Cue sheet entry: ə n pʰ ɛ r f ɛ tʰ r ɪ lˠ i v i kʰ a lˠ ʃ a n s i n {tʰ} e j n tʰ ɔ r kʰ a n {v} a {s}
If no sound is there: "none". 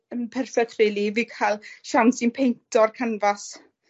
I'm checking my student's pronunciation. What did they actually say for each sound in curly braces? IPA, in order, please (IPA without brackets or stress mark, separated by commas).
pʰ, v, s